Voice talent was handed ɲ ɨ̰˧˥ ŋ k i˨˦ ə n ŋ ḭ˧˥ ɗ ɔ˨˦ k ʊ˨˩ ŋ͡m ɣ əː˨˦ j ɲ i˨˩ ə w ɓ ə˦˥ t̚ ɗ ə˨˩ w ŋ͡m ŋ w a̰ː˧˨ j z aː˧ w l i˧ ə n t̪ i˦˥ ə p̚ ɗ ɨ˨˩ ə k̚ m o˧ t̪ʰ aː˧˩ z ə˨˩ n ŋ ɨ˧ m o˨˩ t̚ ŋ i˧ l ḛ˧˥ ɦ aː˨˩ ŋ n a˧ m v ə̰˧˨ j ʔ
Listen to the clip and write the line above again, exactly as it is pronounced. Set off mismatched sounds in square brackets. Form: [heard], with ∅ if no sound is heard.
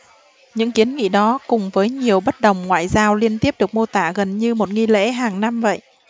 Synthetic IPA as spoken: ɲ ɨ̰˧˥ ŋ k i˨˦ ə n ŋ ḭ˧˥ ɗ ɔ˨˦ k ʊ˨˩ ŋ͡m [v] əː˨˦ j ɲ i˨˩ ə w ɓ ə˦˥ t̚ ɗ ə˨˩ w ŋ͡m ŋ w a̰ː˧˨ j z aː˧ w l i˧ ə n t̪ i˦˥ ə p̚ ɗ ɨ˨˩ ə k̚ m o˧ [t̪] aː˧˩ [ɣ] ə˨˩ n [ɲ] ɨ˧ m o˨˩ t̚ ŋ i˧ l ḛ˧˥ ɦ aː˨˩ ŋ n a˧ m v ə̰˧˨ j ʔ